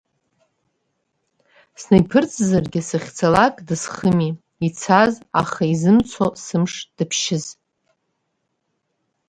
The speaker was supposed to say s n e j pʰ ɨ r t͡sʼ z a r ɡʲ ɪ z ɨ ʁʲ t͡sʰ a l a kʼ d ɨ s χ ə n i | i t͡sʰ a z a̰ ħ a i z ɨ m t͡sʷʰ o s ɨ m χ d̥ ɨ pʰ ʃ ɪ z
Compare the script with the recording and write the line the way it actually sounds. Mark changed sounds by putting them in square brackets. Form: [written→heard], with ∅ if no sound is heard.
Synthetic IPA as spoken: s n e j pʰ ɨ r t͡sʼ z a r ɡʲ ɪ [z→s] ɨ [ʁʲ→χʲ] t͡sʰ a l a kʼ d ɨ s χ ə [n→m] i | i t͡sʰ a z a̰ [ħ→χ] a i z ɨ m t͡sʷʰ o s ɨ m [χ→ʂ] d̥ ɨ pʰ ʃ ɪ z